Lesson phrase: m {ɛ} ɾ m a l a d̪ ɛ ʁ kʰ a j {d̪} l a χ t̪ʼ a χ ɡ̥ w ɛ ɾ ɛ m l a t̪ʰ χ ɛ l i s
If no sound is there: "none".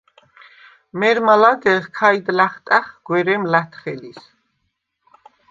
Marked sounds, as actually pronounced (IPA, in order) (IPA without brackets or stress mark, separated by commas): ɛ, d̪